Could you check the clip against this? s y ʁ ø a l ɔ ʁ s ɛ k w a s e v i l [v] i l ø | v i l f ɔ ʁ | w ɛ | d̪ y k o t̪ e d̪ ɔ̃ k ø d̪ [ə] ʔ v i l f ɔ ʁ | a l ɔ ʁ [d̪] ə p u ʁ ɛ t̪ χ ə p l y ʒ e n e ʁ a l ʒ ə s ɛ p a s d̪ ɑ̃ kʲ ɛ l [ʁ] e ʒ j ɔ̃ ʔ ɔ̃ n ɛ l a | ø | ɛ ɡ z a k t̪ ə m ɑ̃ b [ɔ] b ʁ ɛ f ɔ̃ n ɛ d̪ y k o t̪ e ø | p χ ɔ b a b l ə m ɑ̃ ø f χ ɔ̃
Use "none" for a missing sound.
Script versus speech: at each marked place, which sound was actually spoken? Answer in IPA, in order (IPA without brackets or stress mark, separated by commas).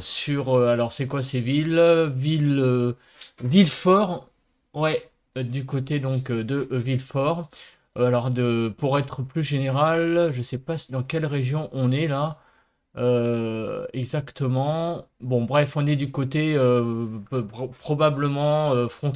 v, ə, d̪, ʁ, ɔ̃